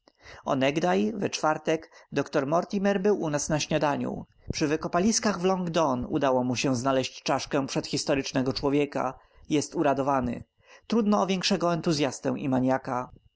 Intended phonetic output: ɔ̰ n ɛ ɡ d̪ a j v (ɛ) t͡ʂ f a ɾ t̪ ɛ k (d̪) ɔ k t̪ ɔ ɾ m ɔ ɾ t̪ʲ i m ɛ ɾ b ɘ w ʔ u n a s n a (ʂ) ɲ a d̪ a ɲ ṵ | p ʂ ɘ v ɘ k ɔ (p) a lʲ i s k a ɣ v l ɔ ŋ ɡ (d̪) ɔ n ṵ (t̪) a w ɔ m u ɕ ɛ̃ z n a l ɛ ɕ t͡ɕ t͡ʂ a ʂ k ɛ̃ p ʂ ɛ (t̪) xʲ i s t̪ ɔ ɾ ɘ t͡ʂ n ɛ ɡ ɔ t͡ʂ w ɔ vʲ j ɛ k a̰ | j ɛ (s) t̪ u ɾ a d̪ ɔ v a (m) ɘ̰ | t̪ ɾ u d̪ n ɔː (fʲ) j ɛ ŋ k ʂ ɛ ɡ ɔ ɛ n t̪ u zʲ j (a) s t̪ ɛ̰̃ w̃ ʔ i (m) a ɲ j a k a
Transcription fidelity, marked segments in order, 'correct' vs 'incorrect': correct, correct, incorrect, correct, correct, incorrect, correct, correct, incorrect, incorrect, correct, correct

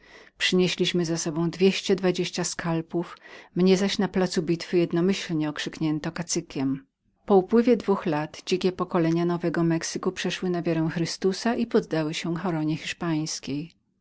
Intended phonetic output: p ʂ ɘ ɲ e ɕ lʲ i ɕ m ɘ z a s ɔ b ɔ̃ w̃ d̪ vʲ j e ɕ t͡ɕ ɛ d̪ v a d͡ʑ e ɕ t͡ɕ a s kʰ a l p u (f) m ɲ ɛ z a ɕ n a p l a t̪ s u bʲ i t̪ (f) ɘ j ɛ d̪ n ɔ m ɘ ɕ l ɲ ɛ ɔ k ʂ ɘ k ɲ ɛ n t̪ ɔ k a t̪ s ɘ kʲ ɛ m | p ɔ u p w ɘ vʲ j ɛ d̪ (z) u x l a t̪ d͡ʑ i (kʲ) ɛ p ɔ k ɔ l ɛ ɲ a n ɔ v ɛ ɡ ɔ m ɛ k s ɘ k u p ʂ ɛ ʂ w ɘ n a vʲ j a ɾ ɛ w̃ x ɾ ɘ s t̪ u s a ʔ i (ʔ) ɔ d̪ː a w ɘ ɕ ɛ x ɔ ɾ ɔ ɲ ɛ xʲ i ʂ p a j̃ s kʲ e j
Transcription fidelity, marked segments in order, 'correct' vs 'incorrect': correct, correct, incorrect, correct, incorrect

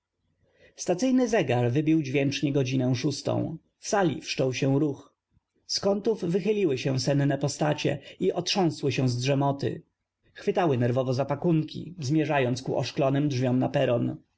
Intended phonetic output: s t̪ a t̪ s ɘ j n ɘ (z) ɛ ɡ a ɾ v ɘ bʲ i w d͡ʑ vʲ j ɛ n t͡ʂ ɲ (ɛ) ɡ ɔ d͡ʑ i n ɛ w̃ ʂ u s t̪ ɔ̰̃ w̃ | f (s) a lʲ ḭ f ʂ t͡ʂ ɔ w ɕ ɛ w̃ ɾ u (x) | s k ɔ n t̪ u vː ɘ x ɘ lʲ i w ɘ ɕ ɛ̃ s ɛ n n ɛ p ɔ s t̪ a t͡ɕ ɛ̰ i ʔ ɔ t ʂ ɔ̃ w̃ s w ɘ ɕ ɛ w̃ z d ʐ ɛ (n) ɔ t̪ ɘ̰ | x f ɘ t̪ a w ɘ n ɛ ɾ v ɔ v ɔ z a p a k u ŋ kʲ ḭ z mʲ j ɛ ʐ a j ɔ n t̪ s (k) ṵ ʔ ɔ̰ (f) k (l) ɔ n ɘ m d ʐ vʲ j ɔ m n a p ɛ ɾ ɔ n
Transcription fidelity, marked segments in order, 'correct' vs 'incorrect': correct, correct, correct, correct, incorrect, correct, incorrect, correct

